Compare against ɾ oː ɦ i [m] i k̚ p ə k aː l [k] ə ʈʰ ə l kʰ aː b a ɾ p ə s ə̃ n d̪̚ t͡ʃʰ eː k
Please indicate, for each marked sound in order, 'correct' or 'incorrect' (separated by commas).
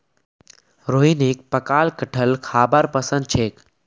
incorrect, correct